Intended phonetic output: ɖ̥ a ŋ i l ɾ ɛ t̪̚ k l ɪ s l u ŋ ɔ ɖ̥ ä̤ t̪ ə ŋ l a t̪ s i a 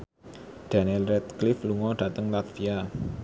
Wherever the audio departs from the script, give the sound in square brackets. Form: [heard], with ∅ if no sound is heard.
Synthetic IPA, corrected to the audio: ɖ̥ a [n] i l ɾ ɛ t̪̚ k l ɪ [f] l u ŋ ɔ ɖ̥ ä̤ t̪ ə ŋ l a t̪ [f] i a